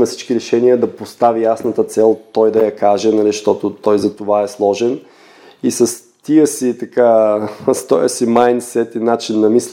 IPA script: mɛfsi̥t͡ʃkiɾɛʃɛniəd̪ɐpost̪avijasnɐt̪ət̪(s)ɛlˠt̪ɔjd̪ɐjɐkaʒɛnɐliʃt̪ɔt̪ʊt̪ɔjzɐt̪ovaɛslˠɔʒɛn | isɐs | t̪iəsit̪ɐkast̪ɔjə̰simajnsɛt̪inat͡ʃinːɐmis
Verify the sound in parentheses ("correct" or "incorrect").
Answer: correct